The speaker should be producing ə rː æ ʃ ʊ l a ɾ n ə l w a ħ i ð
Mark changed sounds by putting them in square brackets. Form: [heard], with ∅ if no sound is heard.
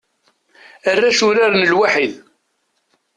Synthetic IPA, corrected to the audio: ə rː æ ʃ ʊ [ɾ] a ɾ n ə l w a ħ i ð